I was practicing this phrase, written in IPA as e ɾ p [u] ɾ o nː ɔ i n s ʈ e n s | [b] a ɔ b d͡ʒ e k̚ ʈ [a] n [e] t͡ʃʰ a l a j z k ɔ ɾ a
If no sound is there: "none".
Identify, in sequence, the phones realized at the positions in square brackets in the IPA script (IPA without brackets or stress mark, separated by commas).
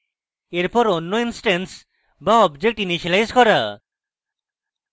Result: ɔ, b, i, i